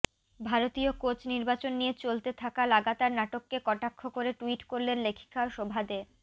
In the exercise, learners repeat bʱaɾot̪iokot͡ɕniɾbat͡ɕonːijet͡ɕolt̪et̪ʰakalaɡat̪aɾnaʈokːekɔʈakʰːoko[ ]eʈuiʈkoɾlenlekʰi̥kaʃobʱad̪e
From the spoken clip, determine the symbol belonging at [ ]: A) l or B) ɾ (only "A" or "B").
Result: B